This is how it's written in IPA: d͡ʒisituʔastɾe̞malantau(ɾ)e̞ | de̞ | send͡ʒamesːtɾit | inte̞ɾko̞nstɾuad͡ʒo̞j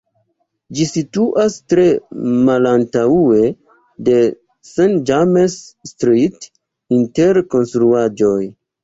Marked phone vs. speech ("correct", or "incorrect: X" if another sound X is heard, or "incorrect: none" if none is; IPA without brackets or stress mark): incorrect: none